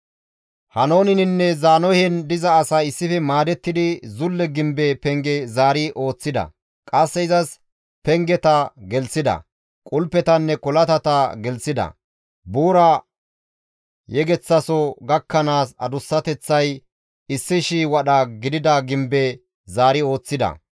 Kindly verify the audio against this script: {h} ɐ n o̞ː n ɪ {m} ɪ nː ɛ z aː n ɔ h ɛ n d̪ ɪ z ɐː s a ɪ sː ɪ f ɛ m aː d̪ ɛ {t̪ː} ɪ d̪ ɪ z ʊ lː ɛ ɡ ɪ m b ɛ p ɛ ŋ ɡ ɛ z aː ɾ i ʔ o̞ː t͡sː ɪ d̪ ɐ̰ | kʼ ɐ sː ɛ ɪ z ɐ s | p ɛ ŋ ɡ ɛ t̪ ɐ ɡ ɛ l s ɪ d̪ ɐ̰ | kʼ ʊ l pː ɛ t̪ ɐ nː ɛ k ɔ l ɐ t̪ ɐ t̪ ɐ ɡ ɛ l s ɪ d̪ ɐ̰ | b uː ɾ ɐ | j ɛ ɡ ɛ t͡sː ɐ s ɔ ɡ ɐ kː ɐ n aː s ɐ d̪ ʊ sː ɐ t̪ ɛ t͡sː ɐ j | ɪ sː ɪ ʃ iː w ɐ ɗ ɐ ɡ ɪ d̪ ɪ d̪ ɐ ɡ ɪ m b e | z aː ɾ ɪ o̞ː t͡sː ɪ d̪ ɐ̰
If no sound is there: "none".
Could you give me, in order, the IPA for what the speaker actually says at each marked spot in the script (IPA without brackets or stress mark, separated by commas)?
h, n, t̪ː